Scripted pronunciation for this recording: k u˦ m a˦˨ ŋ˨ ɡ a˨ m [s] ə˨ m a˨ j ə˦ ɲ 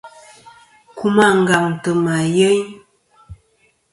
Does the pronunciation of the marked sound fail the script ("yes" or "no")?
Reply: yes